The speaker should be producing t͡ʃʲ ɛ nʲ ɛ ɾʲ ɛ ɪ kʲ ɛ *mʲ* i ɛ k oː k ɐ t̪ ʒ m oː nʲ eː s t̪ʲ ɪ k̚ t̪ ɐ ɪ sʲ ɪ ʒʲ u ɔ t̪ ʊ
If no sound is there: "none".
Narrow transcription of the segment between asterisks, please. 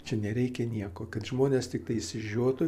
nʲ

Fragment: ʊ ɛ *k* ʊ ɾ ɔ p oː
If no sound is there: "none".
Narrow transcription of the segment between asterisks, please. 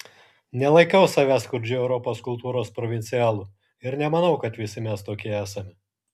none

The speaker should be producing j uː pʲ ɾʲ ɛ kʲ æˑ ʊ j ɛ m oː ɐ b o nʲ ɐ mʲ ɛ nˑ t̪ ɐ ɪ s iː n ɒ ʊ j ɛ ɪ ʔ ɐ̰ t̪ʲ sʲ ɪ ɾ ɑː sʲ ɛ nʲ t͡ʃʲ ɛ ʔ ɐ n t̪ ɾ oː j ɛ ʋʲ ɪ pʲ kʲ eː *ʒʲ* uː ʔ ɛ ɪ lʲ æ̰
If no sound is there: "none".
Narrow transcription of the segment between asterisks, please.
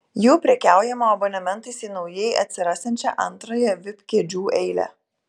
d͡ʒʲ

